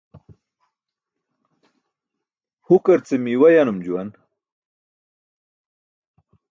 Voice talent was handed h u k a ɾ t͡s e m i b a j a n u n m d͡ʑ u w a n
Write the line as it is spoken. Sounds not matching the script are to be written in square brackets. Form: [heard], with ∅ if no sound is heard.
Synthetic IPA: h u k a ɾ t͡s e m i [w] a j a n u [∅] m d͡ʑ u w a n